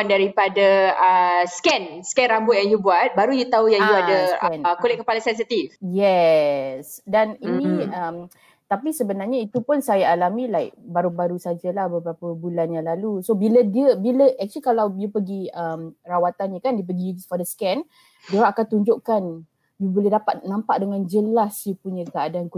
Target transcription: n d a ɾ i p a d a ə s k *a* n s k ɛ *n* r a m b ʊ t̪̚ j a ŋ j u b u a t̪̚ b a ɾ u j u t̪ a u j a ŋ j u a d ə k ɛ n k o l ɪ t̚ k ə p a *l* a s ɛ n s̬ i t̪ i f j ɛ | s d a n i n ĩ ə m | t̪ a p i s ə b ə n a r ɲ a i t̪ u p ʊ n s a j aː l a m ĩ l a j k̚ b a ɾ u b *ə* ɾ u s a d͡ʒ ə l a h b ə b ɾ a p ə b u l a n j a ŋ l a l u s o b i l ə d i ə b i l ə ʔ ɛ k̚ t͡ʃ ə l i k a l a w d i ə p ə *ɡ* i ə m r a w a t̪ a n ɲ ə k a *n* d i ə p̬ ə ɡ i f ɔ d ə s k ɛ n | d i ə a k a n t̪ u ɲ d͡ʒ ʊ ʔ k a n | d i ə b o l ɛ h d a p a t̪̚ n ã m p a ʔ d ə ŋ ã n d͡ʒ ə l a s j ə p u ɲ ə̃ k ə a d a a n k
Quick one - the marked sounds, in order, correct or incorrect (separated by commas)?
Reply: incorrect, correct, correct, incorrect, correct, correct